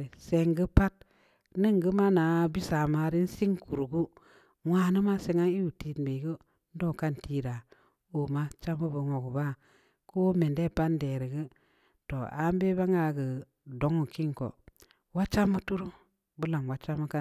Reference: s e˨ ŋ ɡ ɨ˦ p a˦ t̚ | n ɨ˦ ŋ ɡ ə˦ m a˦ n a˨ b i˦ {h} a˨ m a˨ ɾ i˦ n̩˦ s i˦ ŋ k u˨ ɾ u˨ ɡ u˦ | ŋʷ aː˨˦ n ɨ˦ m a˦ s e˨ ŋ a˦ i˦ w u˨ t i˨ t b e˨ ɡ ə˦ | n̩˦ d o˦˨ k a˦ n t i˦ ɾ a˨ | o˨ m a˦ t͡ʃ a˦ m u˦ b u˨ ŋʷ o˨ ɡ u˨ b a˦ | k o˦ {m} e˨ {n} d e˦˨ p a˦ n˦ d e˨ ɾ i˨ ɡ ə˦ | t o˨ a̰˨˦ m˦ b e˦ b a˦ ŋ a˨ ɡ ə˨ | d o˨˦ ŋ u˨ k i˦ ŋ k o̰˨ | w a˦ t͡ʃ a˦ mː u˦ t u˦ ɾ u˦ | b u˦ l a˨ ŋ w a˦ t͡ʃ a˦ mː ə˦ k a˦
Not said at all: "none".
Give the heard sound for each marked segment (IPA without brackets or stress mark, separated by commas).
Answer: s, m, n